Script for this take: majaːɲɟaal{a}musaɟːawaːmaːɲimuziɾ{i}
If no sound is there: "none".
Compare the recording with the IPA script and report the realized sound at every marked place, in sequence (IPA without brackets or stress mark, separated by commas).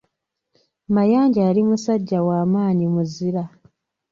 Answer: i, a